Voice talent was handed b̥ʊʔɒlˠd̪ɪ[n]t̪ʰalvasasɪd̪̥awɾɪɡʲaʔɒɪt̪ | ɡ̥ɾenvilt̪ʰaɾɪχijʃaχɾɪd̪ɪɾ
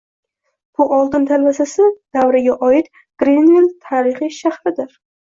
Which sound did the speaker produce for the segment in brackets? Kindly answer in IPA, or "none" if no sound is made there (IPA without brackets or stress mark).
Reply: n